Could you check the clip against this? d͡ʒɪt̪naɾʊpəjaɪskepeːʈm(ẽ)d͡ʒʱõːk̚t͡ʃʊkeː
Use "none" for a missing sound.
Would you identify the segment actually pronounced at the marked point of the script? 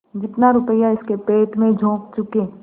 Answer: ẽ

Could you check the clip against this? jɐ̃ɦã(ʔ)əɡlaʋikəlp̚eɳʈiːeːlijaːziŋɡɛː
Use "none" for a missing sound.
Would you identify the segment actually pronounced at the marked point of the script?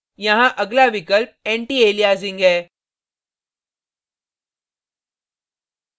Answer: ʔ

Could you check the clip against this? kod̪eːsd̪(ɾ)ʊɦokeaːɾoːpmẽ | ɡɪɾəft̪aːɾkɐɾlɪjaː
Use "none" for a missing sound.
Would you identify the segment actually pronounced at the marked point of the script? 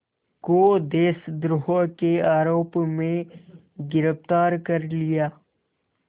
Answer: ɾ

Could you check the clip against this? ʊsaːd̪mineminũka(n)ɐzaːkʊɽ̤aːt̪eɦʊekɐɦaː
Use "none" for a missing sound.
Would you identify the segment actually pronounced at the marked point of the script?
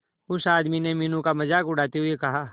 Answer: m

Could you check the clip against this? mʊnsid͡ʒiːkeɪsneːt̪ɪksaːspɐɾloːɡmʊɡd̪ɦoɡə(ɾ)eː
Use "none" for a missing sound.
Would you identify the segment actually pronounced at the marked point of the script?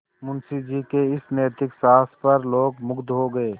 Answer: none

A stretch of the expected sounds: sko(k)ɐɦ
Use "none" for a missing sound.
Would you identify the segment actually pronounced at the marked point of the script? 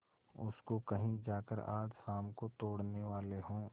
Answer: k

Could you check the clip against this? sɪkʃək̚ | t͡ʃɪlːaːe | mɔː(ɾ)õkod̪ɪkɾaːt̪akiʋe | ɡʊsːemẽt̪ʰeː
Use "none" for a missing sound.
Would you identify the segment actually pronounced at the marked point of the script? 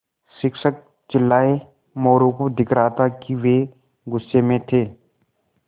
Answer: ɾ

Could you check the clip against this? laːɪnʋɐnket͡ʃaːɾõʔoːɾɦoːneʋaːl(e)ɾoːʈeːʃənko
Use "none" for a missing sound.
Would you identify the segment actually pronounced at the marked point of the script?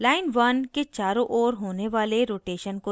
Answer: e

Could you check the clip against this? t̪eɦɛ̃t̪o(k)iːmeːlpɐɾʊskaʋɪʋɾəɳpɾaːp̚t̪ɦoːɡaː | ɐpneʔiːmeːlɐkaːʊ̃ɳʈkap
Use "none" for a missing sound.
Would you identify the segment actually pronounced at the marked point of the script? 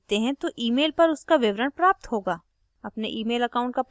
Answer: ʔ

